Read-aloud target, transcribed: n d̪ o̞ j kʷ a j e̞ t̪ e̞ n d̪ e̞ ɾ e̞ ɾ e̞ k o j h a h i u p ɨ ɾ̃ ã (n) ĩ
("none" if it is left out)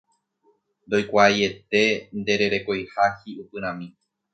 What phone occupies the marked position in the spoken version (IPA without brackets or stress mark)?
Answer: m